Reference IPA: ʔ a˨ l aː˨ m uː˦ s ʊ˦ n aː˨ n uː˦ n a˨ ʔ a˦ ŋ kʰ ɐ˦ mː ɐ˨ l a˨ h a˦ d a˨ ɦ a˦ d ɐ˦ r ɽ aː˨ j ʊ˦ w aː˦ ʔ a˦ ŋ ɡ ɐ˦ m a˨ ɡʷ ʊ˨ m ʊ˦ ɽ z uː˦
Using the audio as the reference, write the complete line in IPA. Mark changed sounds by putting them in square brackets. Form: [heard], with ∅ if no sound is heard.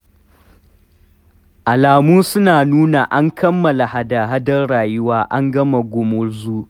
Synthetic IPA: ʔ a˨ l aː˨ m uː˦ s ʊ˦ n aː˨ n uː˦ n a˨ ʔ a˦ ŋ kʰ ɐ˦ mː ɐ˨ l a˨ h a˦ d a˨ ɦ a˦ d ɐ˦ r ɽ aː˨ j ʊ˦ w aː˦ ʔ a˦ ŋ ɡ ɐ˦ m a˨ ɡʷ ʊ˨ m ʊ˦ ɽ z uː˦